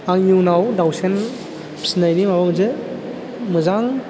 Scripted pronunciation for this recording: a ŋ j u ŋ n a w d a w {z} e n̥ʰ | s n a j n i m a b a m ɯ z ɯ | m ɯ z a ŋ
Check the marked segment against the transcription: incorrect: s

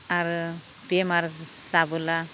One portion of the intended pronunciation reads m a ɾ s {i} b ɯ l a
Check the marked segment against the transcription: incorrect: a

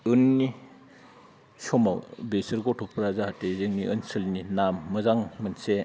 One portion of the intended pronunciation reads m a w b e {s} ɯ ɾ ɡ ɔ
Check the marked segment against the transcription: correct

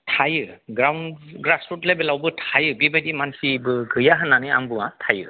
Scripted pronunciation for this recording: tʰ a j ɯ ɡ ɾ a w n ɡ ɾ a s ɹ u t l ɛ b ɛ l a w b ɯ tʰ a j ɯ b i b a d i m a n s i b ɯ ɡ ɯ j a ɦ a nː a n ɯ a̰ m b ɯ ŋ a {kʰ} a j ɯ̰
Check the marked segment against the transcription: incorrect: tʰ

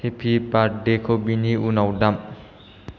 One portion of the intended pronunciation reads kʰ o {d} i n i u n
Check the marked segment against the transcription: incorrect: b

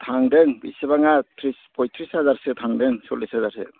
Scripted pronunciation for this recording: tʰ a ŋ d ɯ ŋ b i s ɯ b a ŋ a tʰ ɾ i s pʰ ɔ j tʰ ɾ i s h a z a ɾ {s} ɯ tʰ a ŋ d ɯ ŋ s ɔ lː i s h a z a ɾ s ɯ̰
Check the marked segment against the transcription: correct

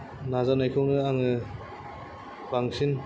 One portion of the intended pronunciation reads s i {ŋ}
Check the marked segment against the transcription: incorrect: n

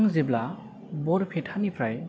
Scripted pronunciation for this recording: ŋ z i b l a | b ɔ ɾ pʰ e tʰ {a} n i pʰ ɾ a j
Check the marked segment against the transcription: correct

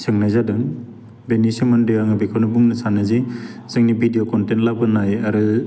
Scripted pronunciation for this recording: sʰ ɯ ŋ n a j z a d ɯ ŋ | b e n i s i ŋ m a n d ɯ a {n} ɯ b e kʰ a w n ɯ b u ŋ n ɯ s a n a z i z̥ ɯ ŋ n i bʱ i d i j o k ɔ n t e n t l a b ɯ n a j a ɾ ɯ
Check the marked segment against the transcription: incorrect: ŋ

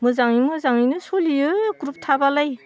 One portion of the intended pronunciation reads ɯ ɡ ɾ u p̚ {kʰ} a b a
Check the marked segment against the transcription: incorrect: tʰ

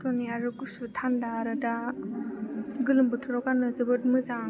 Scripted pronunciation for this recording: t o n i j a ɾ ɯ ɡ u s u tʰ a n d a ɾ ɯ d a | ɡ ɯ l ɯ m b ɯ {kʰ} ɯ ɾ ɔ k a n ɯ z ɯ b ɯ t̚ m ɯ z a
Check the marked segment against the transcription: incorrect: tʰ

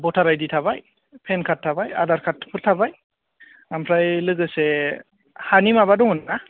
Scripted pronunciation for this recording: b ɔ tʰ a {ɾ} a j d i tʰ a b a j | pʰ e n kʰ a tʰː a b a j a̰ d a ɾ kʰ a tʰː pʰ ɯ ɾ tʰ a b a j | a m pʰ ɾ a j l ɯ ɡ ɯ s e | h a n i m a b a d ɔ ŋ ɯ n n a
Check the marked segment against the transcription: correct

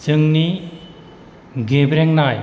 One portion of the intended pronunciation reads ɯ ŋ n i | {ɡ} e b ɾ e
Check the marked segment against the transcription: correct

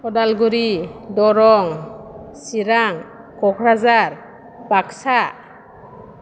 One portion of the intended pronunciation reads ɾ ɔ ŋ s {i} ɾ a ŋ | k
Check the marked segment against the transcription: correct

